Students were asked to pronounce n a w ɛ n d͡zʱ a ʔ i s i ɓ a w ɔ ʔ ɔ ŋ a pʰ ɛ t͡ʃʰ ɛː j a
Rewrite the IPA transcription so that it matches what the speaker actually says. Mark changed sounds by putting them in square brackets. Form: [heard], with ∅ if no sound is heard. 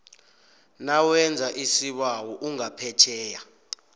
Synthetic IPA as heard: n a w ɛ n d͡zʱ a ʔ i s i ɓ a w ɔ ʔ [u] ŋ a pʰ ɛ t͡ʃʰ ɛː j a